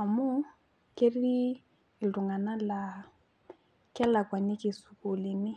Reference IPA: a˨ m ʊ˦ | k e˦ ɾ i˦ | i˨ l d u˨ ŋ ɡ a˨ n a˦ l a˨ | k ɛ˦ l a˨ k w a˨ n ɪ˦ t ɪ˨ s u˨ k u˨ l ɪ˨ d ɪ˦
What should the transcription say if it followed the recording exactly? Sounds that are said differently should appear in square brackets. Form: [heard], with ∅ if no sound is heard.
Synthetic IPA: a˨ m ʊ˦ | k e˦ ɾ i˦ | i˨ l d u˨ ŋ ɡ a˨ n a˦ l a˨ | k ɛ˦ l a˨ k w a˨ n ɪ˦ [k] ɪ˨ s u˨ k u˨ l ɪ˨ [n] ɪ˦